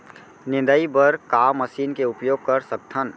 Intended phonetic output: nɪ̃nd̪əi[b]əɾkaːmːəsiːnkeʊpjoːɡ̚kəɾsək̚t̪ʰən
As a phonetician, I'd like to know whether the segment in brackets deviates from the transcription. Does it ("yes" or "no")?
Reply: no